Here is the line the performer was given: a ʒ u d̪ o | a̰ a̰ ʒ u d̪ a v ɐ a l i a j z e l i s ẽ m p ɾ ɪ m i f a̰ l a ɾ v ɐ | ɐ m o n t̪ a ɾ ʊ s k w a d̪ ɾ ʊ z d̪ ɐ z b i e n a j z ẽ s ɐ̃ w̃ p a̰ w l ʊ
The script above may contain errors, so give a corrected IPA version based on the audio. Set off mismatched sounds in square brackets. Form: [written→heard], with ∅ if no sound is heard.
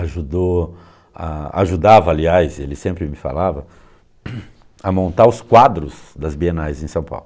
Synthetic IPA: a ʒ u d̪ o | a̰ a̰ ʒ u d̪ a v ɐ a l i a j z e l [i→ɪ] s ẽ m p ɾ ɪ m [i→ɪ] f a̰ l a [ɾ→∅] v ɐ | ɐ m [o→õ] n t̪ a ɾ ʊ s k w a d̪ ɾ ʊ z d̪ ɐ z b i e n a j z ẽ s ɐ̃ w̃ p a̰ w l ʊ